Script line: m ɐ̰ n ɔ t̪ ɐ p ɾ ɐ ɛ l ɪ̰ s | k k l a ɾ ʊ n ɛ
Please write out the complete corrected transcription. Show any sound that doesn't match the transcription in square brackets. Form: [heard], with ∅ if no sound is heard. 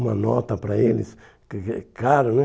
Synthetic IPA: m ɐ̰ n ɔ t̪ ɐ p ɾ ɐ [e] l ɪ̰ s | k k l a ɾ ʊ n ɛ